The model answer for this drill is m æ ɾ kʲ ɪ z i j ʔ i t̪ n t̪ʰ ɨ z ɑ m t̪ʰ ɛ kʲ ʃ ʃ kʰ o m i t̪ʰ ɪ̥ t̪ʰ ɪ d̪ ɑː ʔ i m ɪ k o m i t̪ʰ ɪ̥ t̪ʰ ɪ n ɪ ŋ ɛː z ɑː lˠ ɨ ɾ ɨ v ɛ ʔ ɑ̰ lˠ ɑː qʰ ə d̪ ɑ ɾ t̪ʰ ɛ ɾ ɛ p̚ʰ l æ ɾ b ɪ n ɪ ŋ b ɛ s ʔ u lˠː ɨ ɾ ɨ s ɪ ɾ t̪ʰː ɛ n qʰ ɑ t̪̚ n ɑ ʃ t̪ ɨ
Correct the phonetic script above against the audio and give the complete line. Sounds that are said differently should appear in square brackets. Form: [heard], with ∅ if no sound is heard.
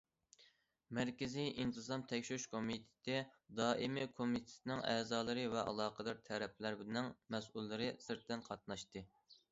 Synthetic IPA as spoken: m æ ɾ kʲ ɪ z i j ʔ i [∅] n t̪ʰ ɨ z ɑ m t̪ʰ ɛ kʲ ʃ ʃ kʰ o m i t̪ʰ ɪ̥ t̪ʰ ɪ d̪ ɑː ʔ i m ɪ [kʰ] o m i t̪ʰ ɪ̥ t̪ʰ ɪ n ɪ ŋ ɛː z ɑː lˠ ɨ ɾ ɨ v ɛ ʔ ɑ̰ lˠ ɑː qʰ ə d̪ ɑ ɾ t̪ʰ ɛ ɾ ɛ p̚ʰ l æ ɾ b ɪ n ɪ ŋ [m] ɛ s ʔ u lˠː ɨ ɾ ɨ s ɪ ɾ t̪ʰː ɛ n qʰ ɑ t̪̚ n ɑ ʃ t̪ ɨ